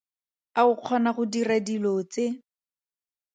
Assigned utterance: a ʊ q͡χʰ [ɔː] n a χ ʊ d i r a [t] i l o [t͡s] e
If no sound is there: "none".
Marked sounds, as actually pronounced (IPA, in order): ɔ, d, t͡s

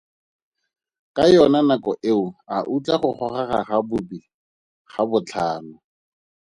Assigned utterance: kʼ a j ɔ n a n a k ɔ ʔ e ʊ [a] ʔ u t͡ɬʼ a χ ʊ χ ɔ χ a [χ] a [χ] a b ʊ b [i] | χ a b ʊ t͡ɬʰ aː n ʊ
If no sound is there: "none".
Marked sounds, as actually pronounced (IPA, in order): a, χ, χ, i

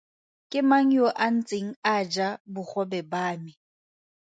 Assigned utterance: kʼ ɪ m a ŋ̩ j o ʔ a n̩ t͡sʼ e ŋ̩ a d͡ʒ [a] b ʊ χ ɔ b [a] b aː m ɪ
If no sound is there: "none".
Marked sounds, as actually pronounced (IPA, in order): a, ɛ

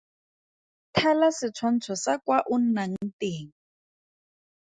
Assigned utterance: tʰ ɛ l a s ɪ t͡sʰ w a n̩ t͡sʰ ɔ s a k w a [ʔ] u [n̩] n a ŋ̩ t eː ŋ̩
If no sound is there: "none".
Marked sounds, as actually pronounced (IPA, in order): ʔ, n̩

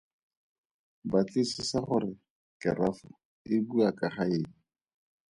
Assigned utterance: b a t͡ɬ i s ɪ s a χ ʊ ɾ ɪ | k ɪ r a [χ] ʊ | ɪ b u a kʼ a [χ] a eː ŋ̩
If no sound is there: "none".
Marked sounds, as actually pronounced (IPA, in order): f, χ

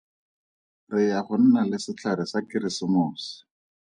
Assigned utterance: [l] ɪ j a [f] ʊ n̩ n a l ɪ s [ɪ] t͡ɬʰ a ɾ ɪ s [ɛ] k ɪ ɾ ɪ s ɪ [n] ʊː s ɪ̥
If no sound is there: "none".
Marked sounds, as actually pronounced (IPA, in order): r, χ, ɪ, a, m

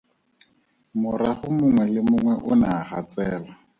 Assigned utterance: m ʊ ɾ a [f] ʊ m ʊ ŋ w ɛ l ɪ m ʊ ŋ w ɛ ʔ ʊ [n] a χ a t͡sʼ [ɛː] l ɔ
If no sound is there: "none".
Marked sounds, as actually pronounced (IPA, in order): χ, n, ɛː

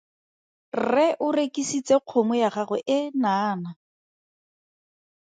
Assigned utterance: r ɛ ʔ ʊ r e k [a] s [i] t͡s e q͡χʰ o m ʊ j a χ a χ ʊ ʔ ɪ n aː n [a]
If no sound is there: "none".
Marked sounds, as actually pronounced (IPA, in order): i, i, a

